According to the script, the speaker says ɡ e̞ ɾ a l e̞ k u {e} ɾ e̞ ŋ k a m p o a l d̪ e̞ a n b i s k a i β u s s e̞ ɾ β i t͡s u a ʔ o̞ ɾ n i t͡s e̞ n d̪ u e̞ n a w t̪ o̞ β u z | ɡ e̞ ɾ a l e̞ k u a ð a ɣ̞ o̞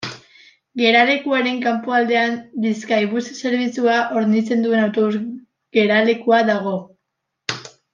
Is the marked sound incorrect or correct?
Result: incorrect